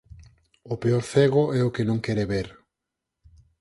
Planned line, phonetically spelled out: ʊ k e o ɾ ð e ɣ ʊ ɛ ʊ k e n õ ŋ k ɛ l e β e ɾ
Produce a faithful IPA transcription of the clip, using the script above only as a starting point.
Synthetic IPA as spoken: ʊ p e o ɾ θ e ɣ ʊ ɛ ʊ k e n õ ŋ k ɛ ɾ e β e ɾ